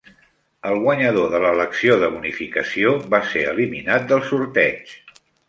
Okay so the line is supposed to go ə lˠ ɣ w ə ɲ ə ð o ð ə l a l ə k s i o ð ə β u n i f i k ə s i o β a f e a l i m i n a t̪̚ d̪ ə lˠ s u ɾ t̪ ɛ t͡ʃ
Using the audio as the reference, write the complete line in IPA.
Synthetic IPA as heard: ə lˠ ɣ w ə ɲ ə ð o ð ə l ə l ə k s i o ð ə β u n i f i k ə s i o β a s e ə l i m i n a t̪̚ d̪ ə lˠ s u ɾ t̪ ɛ t͡ʃ